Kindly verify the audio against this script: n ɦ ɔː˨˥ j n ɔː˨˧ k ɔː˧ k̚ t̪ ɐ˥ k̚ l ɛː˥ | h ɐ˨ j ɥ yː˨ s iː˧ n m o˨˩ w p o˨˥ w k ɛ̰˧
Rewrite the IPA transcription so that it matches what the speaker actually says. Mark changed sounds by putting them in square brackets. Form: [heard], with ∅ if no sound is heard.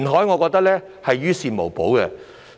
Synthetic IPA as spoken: n ɦ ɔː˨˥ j [ŋ] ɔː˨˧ k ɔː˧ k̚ t̪ ɐ˥ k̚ l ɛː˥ | h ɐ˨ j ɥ [yː˥] s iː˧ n m o˨˩ w p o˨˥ w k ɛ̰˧